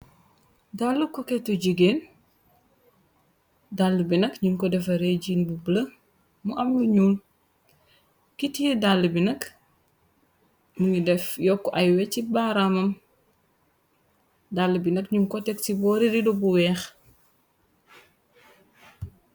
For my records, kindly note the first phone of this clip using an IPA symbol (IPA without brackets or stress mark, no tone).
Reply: d